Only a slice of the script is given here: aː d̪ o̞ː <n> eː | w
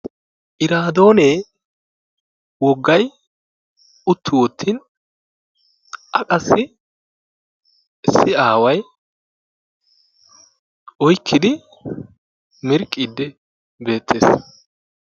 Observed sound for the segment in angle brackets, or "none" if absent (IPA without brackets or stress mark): n